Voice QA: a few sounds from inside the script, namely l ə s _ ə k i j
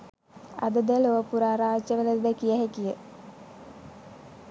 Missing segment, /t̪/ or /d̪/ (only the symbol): d̪